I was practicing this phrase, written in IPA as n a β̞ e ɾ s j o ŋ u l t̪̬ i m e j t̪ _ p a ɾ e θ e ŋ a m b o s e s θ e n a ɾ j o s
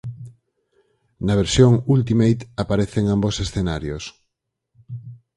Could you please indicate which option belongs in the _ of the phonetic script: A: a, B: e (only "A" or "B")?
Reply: A